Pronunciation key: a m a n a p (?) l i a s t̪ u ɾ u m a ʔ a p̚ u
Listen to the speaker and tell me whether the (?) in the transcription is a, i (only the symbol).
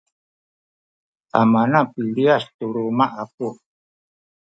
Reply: i